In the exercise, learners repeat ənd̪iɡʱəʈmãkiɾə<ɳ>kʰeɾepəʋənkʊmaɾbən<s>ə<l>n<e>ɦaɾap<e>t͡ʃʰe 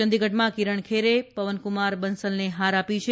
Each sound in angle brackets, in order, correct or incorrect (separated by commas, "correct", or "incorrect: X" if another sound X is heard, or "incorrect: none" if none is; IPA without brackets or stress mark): correct, correct, correct, correct, incorrect: i